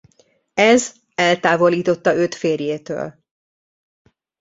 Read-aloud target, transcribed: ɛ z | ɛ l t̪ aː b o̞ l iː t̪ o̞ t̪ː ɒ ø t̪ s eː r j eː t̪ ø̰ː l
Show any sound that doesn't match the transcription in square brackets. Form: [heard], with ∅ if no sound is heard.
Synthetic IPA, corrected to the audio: ɛ z | ɛ l t̪ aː [v] o̞ l iː t̪ o̞ t̪ː ɒ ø t̪ [f] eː r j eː t̪ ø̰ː l